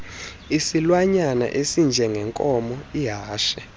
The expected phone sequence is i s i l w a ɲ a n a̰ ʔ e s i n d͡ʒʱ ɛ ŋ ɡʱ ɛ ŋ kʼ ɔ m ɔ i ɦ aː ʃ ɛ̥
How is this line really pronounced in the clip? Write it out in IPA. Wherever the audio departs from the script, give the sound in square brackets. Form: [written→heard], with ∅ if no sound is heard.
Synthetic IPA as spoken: i s i l w a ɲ a n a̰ ʔ e s i n d͡ʒʱ ɛ ŋ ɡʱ ɛ ŋ kʼ ɔ m ɔ i ɦ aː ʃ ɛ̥